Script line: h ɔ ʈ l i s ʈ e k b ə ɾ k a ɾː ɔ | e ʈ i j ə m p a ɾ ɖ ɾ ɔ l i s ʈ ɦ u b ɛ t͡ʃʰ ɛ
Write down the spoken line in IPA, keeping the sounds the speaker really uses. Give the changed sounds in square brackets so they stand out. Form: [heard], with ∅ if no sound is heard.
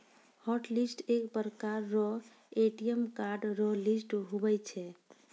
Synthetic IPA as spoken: h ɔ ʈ l i s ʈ e k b ə ɾ k a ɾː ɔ | e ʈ i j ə m [k] a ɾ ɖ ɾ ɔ l i s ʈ ɦ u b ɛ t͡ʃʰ ɛ